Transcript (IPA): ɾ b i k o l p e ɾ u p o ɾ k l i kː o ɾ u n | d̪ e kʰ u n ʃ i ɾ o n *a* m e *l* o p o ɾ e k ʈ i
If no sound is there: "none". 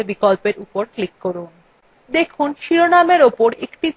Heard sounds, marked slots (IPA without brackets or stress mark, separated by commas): a, ɾ